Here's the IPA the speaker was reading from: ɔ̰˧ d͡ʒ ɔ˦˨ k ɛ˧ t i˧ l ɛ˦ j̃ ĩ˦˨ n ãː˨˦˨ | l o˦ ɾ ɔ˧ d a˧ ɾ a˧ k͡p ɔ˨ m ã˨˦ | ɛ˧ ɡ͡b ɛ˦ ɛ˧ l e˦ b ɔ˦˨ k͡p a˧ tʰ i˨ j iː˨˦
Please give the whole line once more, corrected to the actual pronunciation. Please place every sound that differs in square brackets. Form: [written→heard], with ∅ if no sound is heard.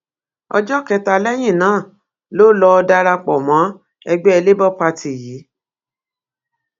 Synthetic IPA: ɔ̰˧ d͡ʒ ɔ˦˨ k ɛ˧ t [i˧→a˧] l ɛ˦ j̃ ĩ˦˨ n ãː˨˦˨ | l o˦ [ɾ→l] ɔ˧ d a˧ ɾ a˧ k͡p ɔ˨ m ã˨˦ | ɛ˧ ɡ͡b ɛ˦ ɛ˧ l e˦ b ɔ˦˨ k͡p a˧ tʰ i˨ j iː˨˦